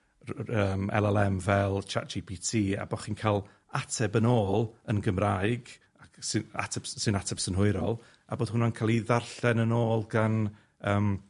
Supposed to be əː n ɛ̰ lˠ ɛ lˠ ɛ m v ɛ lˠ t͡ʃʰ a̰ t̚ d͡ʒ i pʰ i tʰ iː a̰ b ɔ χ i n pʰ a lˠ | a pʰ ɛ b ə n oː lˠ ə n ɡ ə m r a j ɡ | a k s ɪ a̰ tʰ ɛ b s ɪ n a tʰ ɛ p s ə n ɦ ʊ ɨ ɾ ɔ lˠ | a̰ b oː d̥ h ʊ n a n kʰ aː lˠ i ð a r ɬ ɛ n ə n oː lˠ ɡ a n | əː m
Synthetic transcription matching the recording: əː m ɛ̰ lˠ ɛ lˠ ɛ m v ɛ lˠ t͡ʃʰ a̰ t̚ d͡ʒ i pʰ i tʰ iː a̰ b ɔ χ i n kʰ a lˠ | a tʰ ɛ b ə n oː lˠ ə n ɡ ə m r a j ɡ | a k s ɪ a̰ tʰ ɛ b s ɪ n a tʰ ɛ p s ə n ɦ ʊ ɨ ɾ ɔ lˠ | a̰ b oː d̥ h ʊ n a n kʰ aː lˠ i ð a r ɬ ɛ n ə n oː lˠ ɡ a n | əː m